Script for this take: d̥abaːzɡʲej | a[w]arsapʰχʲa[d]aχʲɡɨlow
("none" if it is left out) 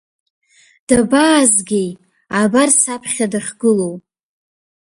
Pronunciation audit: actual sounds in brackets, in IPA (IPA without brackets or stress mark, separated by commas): b, d